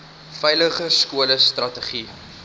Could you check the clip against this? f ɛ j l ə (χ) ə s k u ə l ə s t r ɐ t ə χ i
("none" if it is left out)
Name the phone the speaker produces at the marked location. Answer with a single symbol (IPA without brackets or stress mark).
χ